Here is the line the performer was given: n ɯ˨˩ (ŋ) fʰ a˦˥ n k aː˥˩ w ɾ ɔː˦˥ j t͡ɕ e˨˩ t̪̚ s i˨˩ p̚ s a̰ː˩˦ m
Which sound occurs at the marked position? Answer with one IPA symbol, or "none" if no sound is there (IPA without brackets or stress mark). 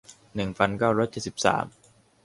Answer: ŋ